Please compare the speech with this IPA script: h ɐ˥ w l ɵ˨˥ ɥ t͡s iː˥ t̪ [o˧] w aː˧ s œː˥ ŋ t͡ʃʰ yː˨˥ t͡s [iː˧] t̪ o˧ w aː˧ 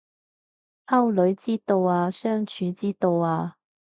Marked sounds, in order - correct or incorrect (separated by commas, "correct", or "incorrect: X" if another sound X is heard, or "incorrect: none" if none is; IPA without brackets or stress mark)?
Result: correct, incorrect: iː˥